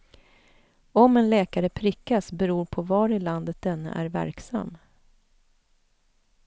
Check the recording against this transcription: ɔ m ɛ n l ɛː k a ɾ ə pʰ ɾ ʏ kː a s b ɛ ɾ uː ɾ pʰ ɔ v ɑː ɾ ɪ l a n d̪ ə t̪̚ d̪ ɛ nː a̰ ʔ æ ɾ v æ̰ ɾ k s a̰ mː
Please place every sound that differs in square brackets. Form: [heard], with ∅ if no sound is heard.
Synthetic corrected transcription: ɔ m ɛ n l ɛː k a ɾ ə pʰ ɾ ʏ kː a s b ɛ ɾ uː ɾ pʰ ɔ v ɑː ɾ ɪ l a n d̪ ə t̪̚ d̪ ɛ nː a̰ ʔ æ ɾ v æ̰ ɾ k s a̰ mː